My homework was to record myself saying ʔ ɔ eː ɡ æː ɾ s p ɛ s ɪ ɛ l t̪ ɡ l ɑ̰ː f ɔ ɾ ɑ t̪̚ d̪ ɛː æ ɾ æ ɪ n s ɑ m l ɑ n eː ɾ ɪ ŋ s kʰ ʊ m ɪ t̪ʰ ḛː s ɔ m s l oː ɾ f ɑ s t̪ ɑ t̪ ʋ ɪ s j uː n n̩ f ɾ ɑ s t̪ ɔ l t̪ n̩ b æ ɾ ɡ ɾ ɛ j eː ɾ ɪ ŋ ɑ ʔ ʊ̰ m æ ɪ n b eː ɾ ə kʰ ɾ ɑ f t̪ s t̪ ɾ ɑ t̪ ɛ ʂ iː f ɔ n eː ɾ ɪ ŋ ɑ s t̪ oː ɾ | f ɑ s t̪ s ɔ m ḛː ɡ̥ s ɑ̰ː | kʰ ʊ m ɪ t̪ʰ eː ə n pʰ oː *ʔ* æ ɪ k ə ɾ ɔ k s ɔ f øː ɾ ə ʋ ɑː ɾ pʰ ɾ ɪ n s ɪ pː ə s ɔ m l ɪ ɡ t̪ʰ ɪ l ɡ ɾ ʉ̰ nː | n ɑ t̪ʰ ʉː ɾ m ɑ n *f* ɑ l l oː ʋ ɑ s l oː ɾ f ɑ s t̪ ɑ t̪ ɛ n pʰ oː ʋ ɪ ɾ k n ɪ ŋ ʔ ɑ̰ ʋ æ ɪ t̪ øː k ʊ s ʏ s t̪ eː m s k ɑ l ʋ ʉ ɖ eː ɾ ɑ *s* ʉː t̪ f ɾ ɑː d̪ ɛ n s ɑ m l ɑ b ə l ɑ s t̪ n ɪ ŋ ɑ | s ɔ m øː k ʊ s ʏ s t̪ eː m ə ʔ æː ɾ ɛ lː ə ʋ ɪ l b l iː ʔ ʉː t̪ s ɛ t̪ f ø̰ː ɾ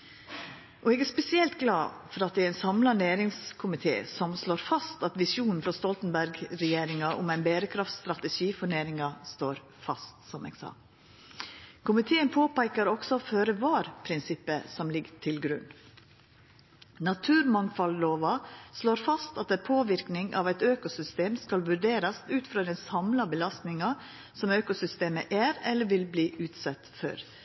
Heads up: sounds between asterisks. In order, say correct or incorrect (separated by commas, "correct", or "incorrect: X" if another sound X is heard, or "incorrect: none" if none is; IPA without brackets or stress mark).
incorrect: p, correct, correct